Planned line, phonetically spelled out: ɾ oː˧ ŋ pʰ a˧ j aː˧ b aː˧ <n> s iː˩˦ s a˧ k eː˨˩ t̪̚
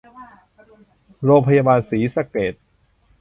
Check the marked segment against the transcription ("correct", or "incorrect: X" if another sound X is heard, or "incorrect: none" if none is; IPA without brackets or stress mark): correct